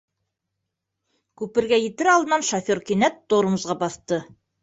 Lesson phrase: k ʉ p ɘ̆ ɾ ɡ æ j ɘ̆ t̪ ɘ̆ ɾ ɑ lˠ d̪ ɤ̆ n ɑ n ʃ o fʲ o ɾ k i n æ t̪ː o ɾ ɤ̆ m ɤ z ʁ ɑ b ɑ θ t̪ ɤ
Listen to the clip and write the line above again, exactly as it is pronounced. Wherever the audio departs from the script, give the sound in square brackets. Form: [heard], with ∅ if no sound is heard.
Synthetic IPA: k ʉ p ɘ̆ ɾ ɡ æ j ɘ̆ t̪ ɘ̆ ɾ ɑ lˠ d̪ ɤ̆ n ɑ n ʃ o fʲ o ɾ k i n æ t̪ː o ɾ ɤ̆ m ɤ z ʁ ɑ b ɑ θ t̪ ɤ